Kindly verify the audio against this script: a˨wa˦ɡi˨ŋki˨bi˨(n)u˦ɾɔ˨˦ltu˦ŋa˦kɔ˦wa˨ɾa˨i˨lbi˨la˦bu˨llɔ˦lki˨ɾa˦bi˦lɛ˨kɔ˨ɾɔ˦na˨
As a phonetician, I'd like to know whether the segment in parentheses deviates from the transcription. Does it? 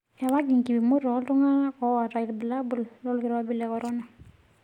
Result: yes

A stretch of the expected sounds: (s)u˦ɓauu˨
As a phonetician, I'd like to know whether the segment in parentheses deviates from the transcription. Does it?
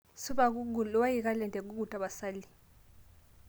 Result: no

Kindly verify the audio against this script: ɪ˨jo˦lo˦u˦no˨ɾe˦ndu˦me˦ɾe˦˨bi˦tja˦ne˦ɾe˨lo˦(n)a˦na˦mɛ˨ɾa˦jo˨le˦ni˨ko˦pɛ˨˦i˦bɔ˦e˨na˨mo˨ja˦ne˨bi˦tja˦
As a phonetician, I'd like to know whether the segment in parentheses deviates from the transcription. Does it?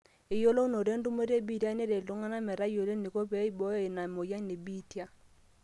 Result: yes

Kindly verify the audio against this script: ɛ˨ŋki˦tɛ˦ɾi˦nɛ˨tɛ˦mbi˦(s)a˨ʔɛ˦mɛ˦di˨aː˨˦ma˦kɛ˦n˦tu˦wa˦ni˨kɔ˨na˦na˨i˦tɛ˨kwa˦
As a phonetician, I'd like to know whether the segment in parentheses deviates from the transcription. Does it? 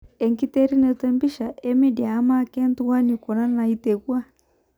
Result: yes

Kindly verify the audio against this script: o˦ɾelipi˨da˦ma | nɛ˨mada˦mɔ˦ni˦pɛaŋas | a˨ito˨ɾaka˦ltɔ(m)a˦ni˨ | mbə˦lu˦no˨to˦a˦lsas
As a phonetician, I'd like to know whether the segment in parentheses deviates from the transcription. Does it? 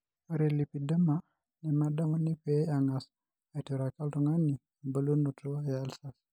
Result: yes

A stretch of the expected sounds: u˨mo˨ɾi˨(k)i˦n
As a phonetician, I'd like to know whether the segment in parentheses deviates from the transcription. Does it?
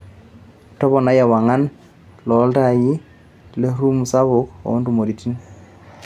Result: yes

